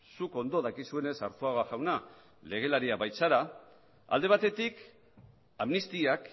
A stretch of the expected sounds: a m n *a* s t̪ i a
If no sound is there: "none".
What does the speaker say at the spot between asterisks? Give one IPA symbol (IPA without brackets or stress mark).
i